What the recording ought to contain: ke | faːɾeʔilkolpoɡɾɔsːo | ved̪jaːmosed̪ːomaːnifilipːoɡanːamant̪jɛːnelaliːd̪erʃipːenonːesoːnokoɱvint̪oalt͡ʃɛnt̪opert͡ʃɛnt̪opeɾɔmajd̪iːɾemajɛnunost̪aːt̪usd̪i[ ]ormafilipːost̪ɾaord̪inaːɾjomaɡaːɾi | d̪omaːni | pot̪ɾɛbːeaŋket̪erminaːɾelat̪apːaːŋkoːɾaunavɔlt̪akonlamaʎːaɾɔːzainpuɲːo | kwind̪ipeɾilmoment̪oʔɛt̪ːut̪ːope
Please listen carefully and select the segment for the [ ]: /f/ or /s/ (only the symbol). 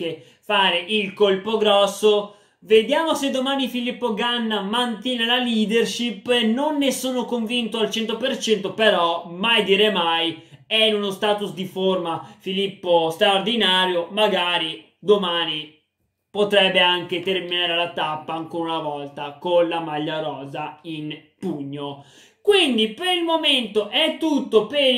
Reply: f